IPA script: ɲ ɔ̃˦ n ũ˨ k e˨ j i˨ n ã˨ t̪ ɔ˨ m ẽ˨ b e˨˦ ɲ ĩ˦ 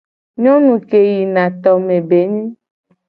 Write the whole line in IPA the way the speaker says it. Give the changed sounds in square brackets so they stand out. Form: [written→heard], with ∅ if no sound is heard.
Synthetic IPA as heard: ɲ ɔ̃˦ n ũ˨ k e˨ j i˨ n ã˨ t̪ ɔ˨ m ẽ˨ b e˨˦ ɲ ĩ˦